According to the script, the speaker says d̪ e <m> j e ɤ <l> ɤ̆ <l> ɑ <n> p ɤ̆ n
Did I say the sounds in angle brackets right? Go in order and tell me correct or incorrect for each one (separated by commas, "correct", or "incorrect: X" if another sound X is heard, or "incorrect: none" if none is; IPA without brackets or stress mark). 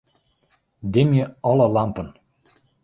correct, correct, correct, incorrect: m